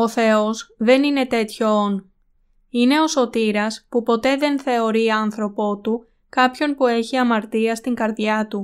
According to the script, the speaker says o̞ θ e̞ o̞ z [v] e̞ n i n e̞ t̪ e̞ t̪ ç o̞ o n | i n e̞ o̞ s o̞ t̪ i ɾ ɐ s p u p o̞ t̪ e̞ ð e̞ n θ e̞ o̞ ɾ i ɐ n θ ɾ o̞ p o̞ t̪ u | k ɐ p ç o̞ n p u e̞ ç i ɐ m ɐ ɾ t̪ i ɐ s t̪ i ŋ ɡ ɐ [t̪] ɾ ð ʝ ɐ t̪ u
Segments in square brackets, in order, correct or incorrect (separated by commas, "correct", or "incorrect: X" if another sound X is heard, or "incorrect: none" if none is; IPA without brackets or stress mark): incorrect: ð, incorrect: none